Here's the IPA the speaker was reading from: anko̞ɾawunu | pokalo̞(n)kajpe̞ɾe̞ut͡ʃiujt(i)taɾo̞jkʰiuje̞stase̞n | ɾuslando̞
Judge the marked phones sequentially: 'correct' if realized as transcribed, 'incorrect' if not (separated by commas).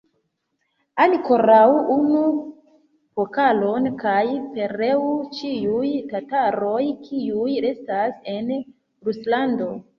correct, incorrect